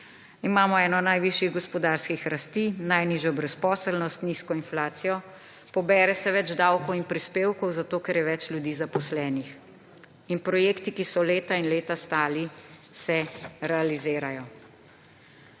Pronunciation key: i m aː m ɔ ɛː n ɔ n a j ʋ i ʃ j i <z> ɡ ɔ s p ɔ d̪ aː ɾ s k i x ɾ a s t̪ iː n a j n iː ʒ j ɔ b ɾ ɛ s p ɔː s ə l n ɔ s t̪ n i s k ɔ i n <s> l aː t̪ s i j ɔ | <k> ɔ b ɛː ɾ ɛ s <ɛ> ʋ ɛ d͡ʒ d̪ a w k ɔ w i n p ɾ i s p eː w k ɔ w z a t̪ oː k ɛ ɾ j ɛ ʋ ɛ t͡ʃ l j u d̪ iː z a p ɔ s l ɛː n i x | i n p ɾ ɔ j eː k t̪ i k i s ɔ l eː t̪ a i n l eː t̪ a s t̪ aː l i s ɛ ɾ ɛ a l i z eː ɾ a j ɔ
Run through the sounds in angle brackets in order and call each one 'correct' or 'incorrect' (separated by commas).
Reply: incorrect, incorrect, incorrect, correct